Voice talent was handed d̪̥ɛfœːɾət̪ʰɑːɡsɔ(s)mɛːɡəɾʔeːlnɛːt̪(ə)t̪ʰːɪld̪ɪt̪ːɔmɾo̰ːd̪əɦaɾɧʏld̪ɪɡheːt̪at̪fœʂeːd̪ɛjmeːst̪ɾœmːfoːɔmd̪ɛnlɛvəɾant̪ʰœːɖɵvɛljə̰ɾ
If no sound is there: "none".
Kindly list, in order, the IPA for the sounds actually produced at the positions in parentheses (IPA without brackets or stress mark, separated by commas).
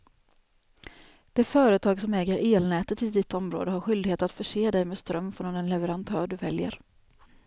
none, ə